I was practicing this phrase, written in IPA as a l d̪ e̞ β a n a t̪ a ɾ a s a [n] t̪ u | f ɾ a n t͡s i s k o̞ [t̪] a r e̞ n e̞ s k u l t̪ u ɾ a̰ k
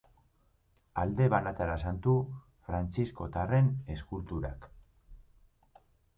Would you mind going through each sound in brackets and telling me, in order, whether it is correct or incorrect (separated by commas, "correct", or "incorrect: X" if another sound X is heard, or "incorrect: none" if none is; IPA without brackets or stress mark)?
correct, correct